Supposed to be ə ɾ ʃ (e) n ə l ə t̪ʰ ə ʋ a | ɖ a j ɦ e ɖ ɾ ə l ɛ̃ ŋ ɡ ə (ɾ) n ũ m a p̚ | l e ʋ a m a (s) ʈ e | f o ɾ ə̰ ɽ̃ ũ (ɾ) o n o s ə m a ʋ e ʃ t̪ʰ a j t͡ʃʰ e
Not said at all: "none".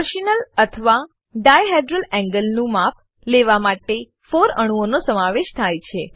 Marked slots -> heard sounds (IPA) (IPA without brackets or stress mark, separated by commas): i, l, none, none